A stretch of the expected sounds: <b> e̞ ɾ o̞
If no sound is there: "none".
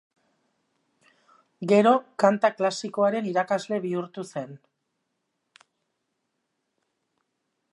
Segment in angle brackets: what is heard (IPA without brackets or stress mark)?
ɡ